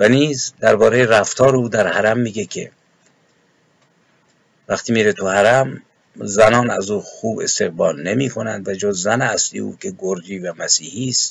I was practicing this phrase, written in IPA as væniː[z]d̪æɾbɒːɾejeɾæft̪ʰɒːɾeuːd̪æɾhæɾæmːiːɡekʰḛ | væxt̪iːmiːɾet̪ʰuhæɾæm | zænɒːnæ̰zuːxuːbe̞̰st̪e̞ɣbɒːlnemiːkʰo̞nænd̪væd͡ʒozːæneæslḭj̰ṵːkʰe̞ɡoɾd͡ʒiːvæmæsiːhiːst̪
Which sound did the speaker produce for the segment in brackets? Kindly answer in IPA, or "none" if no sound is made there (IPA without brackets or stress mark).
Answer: z